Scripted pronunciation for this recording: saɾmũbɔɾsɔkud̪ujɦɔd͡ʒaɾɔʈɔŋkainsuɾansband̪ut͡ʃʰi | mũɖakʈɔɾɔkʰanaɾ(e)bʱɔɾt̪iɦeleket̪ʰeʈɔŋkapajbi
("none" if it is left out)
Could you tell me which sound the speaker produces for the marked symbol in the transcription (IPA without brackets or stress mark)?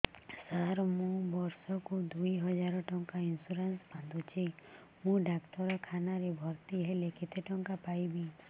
e